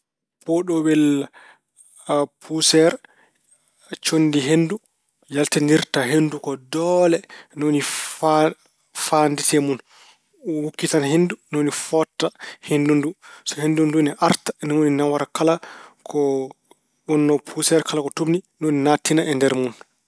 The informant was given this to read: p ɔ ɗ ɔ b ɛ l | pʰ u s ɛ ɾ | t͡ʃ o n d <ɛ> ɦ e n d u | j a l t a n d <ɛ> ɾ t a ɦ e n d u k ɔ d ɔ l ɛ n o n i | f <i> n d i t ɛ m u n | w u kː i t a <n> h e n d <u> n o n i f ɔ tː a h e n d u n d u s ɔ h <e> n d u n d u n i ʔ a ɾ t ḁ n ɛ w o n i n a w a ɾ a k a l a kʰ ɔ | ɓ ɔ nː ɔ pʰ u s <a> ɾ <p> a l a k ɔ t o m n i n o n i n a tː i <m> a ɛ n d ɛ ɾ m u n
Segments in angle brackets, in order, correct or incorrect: incorrect: i, incorrect: i, incorrect: a, correct, correct, correct, incorrect: ɛ, incorrect: k, incorrect: n

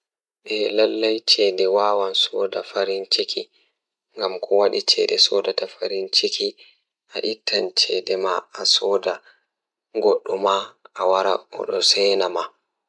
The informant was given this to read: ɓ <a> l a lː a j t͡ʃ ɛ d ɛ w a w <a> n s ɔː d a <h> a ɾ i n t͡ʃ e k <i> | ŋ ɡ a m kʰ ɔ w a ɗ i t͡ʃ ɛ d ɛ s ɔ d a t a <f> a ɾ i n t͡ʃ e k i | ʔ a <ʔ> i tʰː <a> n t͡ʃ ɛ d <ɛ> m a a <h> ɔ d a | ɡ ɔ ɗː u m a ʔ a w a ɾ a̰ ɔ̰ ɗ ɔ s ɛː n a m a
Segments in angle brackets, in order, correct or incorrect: incorrect: ɛ, correct, incorrect: f, correct, correct, correct, correct, correct, incorrect: s

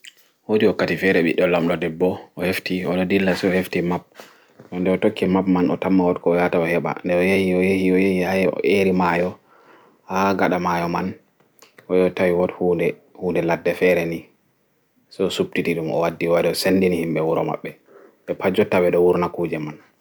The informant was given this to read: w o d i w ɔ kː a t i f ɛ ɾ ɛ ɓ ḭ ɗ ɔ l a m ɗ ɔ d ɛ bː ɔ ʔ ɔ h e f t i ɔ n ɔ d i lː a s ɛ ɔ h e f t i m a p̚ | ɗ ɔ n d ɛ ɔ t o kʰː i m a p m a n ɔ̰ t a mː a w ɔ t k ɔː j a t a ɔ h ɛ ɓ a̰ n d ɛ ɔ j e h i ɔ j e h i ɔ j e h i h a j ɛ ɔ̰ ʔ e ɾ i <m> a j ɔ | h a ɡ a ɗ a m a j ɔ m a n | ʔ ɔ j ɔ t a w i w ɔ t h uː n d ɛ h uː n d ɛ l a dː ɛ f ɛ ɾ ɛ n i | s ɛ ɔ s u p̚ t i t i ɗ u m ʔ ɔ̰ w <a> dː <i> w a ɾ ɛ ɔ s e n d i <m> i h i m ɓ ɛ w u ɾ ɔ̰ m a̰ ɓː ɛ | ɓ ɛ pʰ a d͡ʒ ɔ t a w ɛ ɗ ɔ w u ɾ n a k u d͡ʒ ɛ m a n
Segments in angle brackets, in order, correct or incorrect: correct, correct, correct, incorrect: n

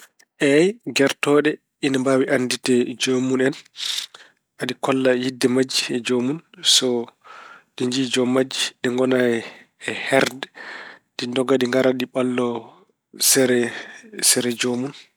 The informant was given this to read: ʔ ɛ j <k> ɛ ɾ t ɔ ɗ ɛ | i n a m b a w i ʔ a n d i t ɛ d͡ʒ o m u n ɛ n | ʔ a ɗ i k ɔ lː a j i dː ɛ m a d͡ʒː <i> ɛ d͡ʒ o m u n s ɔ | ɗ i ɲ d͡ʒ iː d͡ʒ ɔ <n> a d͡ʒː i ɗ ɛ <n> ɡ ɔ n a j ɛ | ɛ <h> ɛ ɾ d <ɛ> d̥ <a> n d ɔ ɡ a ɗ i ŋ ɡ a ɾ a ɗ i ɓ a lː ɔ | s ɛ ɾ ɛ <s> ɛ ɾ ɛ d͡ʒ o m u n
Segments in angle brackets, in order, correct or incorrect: incorrect: ɡ, correct, incorrect: m, incorrect: ŋ, correct, correct, incorrect: i, correct

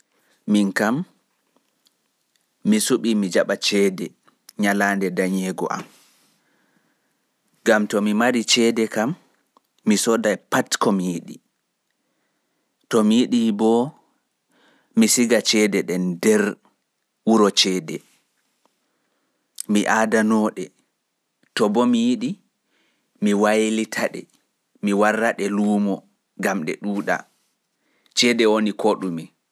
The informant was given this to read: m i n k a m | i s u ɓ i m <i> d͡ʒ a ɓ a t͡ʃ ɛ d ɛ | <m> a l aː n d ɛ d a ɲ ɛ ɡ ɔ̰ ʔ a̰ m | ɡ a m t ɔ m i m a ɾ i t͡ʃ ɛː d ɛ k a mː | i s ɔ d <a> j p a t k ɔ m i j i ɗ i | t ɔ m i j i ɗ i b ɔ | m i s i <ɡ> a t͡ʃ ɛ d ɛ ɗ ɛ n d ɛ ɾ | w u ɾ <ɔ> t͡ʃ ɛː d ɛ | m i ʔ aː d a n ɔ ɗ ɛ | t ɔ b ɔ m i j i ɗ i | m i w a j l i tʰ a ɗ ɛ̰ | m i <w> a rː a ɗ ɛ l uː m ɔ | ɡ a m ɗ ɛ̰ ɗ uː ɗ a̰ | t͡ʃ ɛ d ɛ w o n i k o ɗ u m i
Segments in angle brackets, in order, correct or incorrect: correct, incorrect: ɲ, correct, correct, correct, correct

